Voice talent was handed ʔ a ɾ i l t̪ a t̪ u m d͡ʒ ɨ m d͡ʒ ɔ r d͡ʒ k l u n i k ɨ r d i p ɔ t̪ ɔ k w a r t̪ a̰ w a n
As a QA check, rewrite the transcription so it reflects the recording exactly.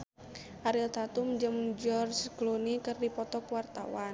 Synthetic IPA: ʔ a ɾ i l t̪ a t̪ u m d͡ʒ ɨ m d͡ʒ ɔ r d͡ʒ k l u n i k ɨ r d i p ɔ t̪ ɔ k w a r t̪ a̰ w a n